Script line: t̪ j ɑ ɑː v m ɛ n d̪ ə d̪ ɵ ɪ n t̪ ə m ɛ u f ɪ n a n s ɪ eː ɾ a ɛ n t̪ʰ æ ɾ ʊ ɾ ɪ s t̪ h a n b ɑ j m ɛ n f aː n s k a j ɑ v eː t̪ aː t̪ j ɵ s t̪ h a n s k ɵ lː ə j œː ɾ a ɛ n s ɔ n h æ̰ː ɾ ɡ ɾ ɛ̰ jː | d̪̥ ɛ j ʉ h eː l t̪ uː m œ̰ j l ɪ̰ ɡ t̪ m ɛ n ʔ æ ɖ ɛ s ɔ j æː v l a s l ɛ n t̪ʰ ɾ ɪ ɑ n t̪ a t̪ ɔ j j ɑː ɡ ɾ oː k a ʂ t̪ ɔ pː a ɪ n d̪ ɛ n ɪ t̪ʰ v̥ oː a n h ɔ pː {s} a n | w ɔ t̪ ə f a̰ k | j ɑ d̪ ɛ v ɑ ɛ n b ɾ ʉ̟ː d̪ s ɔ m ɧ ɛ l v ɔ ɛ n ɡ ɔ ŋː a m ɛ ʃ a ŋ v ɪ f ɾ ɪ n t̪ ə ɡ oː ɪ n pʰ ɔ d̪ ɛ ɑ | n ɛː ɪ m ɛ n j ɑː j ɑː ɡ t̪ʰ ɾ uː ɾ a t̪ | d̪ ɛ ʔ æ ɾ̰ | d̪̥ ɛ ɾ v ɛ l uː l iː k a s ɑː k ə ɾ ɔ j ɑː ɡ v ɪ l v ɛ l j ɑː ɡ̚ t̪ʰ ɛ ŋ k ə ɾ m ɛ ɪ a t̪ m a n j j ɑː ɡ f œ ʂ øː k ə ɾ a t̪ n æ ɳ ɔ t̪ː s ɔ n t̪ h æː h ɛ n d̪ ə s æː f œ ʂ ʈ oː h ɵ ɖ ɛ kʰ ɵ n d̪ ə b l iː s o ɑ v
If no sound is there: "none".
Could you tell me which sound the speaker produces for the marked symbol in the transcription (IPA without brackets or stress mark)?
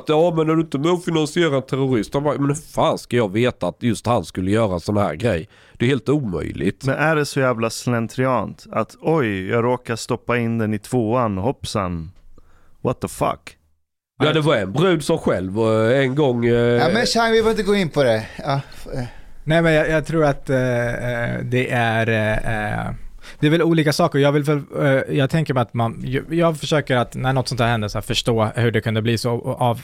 s